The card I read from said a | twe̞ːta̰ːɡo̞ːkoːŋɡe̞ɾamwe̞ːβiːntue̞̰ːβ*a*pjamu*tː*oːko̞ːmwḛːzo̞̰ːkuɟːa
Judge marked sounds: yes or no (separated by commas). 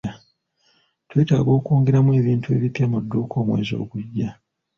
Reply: no, no